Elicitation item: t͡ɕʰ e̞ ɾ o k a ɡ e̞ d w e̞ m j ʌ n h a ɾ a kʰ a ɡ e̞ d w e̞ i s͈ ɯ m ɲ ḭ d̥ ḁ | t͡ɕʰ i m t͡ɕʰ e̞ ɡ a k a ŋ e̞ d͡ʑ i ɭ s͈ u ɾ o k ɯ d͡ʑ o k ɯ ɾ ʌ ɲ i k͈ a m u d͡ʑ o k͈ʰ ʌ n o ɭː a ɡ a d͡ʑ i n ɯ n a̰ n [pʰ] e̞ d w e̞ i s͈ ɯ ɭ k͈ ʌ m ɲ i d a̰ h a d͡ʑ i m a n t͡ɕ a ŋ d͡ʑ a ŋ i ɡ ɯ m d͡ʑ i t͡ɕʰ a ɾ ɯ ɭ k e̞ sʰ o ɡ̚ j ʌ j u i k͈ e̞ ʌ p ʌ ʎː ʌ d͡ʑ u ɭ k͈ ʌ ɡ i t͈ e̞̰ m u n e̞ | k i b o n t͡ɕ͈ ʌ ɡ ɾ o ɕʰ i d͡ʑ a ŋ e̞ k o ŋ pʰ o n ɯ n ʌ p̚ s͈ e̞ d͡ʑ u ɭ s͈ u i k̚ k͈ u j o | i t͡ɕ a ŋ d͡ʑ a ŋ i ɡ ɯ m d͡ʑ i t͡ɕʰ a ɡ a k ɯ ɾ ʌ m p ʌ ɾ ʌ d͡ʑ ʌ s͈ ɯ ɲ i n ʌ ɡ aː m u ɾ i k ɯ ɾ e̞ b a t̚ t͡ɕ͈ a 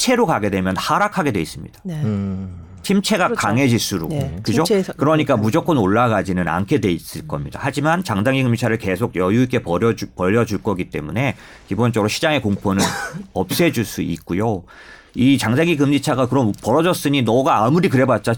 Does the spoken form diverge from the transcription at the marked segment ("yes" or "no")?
yes